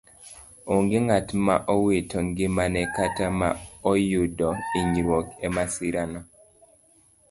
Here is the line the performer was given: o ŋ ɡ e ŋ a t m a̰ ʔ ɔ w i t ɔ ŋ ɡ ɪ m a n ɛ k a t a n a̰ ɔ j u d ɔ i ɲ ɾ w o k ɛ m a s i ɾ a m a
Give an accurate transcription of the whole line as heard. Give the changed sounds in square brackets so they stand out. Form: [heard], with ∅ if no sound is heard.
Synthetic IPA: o ŋ ɡ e ŋ a t m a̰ ʔ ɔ w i t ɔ ŋ ɡ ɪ m a n ɛ k a t a [m] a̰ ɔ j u d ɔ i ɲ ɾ w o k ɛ m a s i ɾ a [n] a